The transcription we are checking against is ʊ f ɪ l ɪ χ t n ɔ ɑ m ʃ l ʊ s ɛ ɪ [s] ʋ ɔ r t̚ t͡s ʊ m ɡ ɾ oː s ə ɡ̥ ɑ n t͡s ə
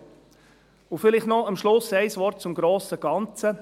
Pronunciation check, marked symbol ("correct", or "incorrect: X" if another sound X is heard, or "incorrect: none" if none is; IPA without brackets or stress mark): correct